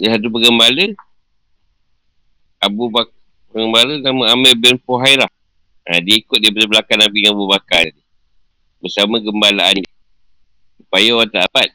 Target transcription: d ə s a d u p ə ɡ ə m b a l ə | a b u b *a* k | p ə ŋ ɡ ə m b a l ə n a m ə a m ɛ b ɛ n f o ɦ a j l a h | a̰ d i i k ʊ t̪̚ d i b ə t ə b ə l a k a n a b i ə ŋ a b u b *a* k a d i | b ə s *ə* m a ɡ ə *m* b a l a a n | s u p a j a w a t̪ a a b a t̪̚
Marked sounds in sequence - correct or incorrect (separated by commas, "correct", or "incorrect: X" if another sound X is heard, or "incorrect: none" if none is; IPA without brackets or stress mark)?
correct, correct, incorrect: a, correct